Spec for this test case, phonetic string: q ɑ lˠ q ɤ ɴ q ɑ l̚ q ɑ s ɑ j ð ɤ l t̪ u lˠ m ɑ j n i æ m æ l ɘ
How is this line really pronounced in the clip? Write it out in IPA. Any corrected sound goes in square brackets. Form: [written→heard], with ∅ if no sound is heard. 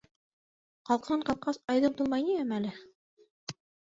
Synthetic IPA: q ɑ lˠ q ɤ ɴ q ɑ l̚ q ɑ s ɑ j ð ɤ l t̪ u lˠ m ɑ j n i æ m æ l ɘ